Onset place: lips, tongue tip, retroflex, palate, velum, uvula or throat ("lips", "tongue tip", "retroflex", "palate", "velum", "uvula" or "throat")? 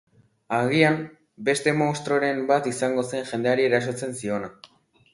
velum